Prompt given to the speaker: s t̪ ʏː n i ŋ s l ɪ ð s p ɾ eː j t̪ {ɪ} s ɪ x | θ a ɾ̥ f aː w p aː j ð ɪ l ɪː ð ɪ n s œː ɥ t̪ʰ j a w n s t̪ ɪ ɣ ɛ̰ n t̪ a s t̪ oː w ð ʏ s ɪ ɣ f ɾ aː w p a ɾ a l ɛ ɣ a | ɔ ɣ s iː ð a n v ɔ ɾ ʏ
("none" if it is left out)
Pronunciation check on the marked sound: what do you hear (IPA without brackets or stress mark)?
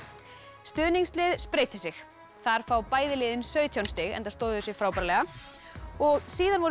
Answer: ɪ